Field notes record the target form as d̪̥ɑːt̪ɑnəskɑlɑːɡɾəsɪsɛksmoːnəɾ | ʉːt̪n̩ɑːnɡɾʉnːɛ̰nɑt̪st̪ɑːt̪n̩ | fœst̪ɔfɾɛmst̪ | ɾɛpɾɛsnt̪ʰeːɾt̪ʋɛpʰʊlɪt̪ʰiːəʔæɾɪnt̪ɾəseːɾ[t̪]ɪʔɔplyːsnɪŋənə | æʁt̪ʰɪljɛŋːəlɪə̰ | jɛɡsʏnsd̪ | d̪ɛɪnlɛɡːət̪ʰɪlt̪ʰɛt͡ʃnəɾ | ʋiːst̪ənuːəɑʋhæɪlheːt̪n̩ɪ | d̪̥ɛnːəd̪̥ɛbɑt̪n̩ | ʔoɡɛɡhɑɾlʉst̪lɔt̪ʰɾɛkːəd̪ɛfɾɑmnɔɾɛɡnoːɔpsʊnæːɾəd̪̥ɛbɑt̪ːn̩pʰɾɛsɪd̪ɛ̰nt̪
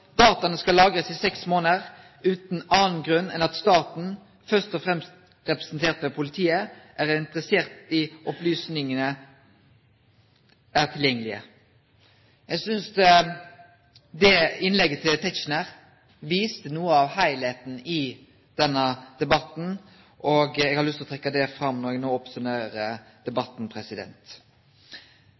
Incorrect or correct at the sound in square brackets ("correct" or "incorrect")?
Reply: correct